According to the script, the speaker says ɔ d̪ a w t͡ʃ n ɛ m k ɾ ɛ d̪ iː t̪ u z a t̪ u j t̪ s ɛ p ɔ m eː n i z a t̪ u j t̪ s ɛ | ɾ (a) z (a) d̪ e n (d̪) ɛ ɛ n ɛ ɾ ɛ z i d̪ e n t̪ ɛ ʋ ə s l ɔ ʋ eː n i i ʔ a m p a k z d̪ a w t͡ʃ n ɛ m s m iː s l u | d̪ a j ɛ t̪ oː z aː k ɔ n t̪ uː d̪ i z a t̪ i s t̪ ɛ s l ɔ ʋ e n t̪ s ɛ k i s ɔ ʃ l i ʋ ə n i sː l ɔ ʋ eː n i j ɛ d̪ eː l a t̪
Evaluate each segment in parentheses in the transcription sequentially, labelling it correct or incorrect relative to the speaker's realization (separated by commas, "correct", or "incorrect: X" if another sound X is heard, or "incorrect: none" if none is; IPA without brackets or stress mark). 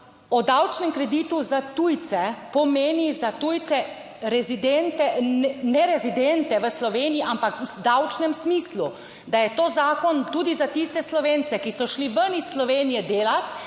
incorrect: ɛ, incorrect: i, incorrect: t̪